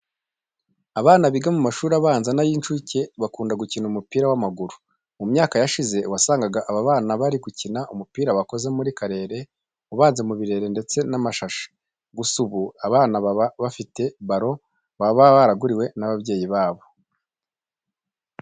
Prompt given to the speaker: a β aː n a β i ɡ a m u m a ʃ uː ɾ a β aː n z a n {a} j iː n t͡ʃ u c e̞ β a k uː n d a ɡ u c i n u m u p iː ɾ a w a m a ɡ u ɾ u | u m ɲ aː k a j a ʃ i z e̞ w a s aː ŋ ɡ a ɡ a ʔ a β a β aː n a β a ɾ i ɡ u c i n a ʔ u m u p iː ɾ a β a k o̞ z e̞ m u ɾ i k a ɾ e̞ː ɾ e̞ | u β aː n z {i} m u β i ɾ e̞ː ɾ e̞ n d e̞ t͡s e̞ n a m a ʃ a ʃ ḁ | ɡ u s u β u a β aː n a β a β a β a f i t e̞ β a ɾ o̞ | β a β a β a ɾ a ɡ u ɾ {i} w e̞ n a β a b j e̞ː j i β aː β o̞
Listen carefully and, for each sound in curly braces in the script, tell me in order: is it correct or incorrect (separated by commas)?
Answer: correct, incorrect, correct